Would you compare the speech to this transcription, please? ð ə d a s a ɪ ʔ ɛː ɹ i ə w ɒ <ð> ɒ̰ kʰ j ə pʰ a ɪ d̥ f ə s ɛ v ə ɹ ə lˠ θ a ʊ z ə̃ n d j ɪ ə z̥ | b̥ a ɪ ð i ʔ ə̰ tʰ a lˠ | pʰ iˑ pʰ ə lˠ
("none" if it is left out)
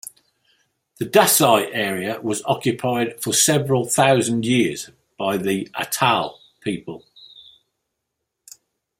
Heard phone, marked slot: z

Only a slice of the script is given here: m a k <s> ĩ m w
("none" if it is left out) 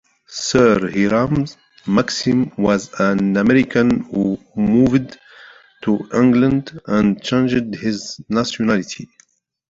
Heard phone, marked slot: s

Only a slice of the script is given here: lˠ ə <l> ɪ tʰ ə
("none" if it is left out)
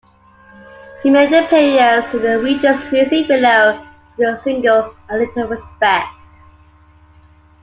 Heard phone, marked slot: l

